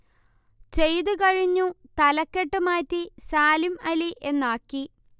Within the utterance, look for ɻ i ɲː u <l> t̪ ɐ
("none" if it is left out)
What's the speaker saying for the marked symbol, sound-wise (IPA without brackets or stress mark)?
none